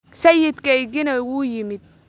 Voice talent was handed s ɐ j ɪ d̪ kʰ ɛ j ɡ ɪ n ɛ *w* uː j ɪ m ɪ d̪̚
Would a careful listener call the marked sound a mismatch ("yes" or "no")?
no